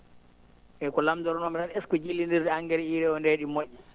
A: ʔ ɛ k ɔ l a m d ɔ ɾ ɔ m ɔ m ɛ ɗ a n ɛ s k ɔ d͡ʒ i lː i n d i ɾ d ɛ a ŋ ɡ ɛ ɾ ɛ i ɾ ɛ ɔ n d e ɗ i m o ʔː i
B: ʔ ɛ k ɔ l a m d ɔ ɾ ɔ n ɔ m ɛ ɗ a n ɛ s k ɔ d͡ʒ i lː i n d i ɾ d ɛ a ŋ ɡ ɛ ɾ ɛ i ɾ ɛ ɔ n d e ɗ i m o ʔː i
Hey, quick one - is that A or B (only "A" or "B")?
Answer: B